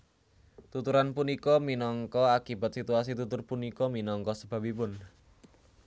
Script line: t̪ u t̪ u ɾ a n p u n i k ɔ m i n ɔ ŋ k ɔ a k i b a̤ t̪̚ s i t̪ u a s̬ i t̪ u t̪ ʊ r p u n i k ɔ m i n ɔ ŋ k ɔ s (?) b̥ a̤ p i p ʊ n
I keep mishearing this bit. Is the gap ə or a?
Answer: ə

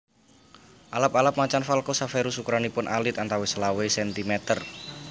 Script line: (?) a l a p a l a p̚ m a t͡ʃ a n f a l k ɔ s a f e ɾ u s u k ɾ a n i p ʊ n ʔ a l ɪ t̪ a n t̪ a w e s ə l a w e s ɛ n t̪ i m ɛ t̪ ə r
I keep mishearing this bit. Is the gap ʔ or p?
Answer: ʔ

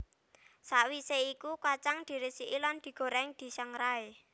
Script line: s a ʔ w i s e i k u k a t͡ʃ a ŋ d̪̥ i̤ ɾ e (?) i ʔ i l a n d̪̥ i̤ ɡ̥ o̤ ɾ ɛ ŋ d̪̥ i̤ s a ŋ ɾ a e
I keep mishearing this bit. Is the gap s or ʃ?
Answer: s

